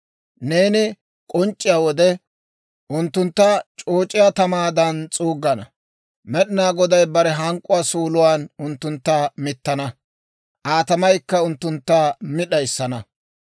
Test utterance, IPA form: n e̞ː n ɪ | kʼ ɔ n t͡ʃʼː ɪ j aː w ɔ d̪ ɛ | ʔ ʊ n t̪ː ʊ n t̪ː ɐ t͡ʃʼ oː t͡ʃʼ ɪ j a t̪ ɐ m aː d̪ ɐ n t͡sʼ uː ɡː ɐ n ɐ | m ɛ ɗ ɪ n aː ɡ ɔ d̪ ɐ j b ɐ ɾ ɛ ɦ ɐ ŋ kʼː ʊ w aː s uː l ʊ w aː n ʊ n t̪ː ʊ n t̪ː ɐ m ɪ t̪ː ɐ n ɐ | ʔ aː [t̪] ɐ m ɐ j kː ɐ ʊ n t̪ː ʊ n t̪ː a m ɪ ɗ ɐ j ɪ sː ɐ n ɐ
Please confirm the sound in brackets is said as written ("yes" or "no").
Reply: yes